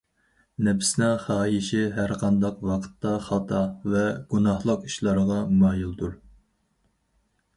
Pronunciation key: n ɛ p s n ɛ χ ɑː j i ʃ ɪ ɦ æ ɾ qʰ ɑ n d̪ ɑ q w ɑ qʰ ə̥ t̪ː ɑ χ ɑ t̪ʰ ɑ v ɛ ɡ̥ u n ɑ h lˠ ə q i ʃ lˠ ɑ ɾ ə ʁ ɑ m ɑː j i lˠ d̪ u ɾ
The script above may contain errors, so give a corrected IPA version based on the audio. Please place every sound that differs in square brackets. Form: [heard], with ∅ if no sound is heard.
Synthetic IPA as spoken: n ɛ p s n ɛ χ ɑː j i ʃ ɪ ɦ æ ɾ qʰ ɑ n d̪ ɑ q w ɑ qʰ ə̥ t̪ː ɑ χ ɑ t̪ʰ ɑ v ɛ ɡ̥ u n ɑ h lˠ ə q i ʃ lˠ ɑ ɾ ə ʁ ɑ m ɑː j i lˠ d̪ u ɾ